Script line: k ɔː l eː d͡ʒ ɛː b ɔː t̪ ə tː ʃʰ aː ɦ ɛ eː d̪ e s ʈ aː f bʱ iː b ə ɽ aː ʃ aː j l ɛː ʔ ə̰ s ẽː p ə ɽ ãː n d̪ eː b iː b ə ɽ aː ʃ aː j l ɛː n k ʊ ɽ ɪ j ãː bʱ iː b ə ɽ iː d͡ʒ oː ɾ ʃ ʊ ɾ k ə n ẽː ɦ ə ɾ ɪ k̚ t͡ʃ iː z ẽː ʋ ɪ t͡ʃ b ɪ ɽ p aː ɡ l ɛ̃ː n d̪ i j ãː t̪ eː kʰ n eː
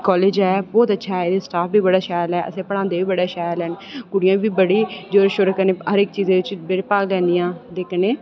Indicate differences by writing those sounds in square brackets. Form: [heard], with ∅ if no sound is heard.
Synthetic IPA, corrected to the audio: k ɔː l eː d͡ʒ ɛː b ɔː t̪ ə tː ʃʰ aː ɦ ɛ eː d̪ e s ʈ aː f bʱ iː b ə ɽ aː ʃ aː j l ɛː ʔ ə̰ s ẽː p ə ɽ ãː n d̪ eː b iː b ə ɽ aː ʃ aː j l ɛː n k ʊ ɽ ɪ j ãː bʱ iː b ə ɽ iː d͡ʒ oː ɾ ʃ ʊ ɾ k ə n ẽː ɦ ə ɾ ɪ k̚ t͡ʃ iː z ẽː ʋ ɪ t͡ʃ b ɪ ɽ p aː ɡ l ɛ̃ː n d̪ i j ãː [d̪] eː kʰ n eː